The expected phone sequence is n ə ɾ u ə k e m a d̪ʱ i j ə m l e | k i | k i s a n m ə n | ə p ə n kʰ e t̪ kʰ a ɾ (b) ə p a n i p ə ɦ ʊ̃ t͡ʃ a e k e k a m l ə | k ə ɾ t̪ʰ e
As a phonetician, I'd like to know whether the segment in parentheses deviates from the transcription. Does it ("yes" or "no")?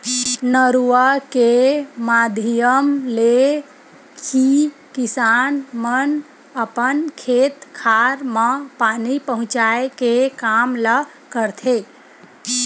yes